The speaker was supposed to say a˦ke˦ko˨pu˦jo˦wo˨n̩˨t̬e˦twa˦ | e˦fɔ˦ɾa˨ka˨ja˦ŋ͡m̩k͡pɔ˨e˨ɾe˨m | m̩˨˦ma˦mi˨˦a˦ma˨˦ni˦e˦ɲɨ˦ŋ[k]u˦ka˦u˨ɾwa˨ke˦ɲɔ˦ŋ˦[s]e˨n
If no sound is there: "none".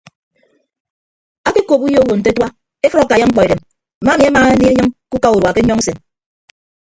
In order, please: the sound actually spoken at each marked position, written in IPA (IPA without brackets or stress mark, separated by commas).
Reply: k, s